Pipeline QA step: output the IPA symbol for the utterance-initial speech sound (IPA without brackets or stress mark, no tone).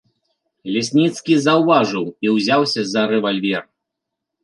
lʲ